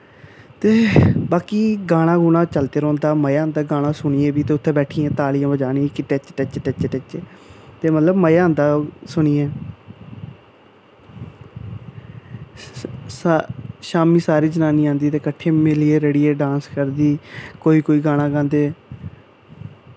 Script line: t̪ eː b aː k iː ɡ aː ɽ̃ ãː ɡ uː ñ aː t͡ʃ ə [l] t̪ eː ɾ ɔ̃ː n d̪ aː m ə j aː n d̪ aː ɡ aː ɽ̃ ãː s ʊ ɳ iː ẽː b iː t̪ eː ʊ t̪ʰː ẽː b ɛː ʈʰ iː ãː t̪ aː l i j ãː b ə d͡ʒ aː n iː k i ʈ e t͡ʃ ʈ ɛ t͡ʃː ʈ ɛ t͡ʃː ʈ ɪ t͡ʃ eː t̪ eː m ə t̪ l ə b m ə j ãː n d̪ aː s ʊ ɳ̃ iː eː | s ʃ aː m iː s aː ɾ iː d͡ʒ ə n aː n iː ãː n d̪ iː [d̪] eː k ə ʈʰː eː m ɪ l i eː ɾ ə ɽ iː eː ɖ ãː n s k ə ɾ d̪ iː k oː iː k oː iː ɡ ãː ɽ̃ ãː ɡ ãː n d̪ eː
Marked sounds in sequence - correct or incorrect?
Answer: correct, incorrect: t̪

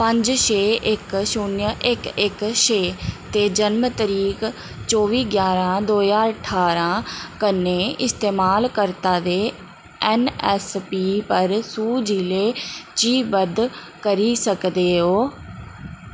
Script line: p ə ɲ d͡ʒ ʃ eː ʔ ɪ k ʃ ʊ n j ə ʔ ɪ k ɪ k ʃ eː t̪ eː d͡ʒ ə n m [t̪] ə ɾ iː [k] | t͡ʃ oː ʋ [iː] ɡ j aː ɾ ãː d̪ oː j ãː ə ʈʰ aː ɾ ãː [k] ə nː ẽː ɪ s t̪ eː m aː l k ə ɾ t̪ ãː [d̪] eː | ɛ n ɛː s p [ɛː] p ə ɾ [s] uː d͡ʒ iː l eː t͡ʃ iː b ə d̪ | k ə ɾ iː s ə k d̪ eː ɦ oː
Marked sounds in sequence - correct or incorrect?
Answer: correct, correct, correct, correct, correct, incorrect: iː, correct

